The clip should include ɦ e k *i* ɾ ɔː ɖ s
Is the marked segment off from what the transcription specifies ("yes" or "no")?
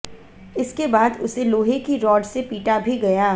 no